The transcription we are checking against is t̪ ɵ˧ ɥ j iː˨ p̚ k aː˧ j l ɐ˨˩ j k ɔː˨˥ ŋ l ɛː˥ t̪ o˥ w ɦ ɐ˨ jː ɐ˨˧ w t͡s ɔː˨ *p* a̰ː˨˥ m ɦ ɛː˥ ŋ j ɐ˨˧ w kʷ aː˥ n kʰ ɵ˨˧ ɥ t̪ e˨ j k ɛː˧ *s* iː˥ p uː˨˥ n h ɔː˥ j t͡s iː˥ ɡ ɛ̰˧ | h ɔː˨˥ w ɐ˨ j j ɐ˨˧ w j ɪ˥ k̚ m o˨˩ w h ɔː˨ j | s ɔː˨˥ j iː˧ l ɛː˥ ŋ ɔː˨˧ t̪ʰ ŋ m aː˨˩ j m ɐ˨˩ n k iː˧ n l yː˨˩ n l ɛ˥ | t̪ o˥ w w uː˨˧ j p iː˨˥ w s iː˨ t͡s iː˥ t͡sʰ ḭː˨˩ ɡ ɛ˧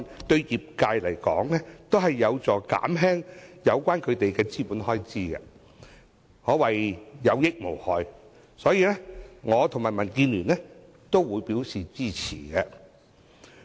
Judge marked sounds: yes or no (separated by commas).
no, no